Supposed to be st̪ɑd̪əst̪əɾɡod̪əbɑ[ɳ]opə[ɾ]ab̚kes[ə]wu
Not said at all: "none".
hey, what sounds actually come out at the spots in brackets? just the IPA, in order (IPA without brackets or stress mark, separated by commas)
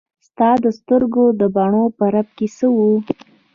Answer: ɳ, ɾ, ə